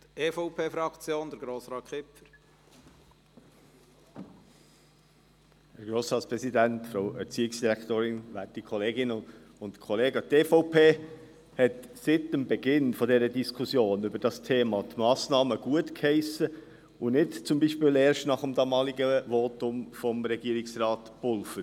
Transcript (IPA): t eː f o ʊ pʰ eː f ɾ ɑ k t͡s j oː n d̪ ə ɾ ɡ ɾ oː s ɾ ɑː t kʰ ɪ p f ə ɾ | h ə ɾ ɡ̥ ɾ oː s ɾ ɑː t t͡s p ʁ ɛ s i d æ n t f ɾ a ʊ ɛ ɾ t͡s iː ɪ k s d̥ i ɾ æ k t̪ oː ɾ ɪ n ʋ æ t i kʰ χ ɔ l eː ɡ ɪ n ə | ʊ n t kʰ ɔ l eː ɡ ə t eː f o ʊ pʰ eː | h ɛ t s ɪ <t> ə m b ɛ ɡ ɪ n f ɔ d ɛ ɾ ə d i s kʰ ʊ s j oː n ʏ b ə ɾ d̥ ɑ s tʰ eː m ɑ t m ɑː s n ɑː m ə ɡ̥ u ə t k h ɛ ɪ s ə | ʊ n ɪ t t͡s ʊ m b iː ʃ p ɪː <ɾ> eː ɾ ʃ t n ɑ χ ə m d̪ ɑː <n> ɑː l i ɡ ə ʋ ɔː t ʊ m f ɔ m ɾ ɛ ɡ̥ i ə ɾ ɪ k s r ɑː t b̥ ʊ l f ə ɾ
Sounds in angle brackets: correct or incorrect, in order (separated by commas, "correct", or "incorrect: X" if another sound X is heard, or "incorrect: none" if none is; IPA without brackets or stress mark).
correct, incorrect: l, incorrect: m